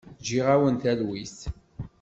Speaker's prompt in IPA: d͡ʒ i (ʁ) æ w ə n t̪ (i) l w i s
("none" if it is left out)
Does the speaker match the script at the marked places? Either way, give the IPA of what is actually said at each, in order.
ʁ, æ

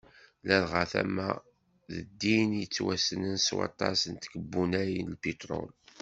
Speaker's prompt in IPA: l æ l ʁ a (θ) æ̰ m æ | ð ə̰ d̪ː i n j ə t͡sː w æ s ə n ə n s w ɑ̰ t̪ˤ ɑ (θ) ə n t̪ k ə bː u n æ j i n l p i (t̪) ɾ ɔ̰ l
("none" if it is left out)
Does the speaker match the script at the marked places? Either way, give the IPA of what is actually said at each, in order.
θ, s, t̪

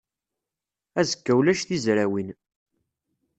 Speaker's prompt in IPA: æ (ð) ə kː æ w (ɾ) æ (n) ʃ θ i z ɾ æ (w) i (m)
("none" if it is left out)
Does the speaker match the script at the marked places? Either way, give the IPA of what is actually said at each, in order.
z, l, none, w, n

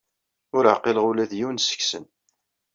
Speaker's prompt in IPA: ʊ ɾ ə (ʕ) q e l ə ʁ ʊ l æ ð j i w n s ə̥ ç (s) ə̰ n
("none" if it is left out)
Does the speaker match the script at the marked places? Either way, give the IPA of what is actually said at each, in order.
ʕ, s

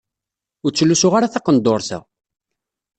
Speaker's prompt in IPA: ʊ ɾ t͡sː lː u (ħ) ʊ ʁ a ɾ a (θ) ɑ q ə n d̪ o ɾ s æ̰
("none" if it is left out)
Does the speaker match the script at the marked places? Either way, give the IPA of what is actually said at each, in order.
s, θ

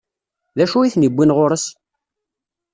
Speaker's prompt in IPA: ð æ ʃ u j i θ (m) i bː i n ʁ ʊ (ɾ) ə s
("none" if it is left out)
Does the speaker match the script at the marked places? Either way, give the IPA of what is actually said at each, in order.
n, ɾ

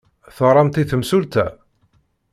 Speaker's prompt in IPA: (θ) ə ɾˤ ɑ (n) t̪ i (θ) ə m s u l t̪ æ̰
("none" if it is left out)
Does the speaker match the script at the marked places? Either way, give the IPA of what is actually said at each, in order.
θ, m, θ

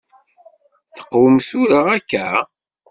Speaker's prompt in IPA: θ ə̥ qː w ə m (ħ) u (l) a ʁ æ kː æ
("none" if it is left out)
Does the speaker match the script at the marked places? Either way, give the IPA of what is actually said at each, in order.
θ, ɾ

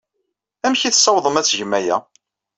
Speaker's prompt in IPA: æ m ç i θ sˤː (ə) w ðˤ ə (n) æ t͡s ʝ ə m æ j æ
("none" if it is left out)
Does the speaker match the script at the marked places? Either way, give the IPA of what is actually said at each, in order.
ɑ, m

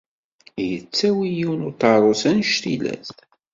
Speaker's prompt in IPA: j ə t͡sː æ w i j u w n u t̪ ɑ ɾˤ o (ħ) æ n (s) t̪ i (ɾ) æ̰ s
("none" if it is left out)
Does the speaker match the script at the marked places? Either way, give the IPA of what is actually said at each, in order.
s, ʃ, l

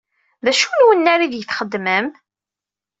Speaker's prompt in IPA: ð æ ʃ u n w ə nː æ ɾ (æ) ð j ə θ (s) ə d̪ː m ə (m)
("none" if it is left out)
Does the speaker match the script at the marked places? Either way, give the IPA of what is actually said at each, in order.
i, χ, m

